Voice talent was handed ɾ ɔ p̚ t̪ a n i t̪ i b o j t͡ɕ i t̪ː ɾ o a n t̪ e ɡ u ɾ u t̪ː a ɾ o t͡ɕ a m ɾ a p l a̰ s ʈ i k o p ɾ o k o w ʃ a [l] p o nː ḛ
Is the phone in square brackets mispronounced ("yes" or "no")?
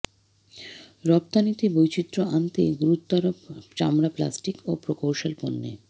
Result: no